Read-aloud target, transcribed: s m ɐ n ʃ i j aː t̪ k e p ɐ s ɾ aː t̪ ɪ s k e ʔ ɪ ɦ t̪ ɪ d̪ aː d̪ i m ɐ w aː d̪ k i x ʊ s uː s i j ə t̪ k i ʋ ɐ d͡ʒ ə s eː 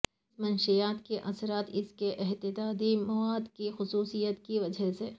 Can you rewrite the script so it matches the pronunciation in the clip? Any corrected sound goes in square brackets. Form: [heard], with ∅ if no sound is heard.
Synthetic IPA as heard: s m ɐ n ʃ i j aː t̪ k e [ʔ] ɐ s ɾ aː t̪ ɪ s k e ʔ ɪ ɦ t̪ ɪ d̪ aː d̪ i m ɐ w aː d̪ k i x ʊ s uː s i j ə t̪ k i ʋ ɐ d͡ʒ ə s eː

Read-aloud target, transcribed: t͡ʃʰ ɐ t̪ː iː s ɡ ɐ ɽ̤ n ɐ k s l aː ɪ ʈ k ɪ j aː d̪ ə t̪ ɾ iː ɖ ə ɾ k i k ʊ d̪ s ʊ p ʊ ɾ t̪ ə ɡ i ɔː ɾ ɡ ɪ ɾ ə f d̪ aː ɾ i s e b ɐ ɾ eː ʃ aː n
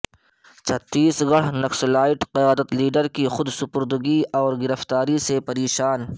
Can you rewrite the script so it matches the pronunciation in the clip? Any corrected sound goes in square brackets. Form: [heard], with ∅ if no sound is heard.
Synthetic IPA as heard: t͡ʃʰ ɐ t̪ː iː s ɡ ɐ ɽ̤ n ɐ k s l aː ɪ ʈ [q] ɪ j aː d̪ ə t̪ [l] iː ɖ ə ɾ k i [x] ʊ d̪ s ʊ p ʊ ɾ [d̪] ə ɡ i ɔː ɾ ɡ ɪ ɾ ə f [t̪] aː ɾ i s e [p] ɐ ɾ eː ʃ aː n

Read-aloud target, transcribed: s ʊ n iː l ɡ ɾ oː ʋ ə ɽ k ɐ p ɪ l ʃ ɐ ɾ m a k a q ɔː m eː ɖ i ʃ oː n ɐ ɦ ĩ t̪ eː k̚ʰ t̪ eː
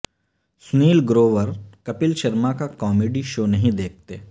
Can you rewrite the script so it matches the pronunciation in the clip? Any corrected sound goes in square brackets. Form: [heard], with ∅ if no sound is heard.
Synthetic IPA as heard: s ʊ n iː l ɡ ɾ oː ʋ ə [ɾ] k ɐ p ɪ l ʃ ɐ ɾ m a k a [k] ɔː m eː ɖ i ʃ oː n ɐ ɦ ĩ [d̪] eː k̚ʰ t̪ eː

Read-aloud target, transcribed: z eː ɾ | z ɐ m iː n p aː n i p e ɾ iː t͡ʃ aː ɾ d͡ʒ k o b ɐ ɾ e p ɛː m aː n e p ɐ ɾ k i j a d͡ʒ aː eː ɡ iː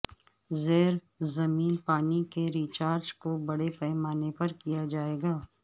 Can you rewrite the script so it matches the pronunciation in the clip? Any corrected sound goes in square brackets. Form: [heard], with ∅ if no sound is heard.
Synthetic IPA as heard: z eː ɾ | z ɐ m iː n p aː n i [k] e ɾ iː t͡ʃ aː ɾ d͡ʒ k o b ɐ [ɽ] e p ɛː m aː n e p ɐ ɾ k i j a d͡ʒ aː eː ɡ [aː]

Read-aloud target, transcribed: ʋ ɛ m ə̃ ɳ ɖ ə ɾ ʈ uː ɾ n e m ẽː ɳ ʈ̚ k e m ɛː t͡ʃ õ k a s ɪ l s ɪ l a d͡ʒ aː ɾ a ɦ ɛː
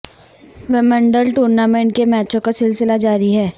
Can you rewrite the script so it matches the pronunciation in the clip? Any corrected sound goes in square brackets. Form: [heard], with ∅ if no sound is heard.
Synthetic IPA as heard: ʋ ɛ m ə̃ ɳ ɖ ə [l] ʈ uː ɾ n [a] m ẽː ɳ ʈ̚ k e m ɛː t͡ʃ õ k a s ɪ l s ɪ l a d͡ʒ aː ɾ [i] ɦ ɛː

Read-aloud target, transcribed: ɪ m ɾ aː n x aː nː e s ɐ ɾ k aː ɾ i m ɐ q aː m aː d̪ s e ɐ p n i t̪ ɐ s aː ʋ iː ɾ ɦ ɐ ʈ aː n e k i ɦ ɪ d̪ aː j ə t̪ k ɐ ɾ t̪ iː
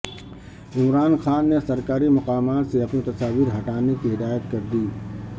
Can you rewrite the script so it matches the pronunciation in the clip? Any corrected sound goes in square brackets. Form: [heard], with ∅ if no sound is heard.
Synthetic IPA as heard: ɪ m ɾ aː n x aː nː e s ɐ ɾ k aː ɾ i m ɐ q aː m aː [t̪] s e ɐ p n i t̪ ɐ s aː ʋ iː ɾ ɦ ɐ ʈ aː n e k i ɦ ɪ d̪ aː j ə t̪ k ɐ ɾ [d̪] iː

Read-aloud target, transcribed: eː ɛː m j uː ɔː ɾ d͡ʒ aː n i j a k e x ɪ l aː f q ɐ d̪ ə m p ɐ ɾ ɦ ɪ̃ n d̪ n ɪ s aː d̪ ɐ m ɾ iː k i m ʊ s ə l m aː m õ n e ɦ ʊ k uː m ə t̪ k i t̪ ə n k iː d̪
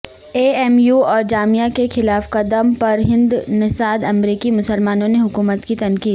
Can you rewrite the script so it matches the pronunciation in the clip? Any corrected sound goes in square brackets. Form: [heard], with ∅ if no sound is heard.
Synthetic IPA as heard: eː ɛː m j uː ɔː ɾ d͡ʒ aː [m] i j a k e x ɪ l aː f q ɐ d̪ ə m p ɐ ɾ ɦ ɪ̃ n d̪ n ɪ s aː d̪ ɐ m ɾ iː k i m ʊ s ə l m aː [n] õ n e ɦ ʊ k uː m ə t̪ k i t̪ [ɐ] n k iː d̪

